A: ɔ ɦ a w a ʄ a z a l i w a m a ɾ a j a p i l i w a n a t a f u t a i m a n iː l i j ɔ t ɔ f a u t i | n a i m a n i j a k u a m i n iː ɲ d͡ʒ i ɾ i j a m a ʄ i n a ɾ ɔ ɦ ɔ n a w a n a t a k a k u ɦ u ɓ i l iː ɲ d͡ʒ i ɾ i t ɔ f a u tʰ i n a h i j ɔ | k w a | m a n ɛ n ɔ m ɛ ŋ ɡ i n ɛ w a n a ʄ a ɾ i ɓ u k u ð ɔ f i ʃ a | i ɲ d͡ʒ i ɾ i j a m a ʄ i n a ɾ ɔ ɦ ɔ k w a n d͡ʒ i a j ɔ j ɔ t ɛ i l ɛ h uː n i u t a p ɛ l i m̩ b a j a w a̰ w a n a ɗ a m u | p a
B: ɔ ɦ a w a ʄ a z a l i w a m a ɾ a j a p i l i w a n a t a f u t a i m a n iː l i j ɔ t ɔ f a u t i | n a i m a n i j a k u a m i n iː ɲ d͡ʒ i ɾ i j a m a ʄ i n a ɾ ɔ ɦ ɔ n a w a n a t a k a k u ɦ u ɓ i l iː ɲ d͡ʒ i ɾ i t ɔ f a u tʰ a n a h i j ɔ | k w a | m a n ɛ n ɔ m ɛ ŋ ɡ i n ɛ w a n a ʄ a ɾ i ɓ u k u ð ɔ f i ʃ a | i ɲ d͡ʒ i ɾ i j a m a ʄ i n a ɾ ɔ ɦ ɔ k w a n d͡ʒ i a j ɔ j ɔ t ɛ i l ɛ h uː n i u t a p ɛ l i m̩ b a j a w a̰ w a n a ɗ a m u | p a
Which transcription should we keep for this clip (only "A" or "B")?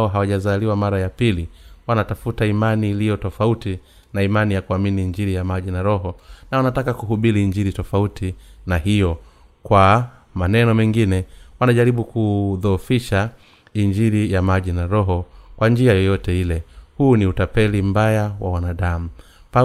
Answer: A